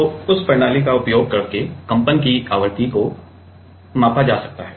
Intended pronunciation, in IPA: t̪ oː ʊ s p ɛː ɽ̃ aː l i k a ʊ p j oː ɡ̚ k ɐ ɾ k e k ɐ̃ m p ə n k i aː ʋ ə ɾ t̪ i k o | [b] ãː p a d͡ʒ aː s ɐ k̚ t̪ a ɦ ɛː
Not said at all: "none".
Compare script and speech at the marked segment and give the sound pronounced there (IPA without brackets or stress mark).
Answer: m